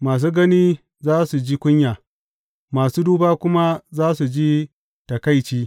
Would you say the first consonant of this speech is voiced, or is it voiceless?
voiced